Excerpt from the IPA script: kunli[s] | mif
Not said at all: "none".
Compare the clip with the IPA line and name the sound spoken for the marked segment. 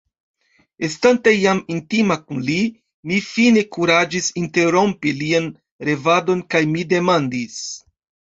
none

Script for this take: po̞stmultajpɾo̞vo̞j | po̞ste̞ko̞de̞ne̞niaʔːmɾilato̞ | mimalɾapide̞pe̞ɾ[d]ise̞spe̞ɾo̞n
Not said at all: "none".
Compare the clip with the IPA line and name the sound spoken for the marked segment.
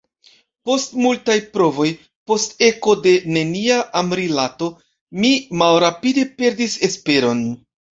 d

